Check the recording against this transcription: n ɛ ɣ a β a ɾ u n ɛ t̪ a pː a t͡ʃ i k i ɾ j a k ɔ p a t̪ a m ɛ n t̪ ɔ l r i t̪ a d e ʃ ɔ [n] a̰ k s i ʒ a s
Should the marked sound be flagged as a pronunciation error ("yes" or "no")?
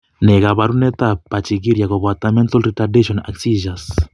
no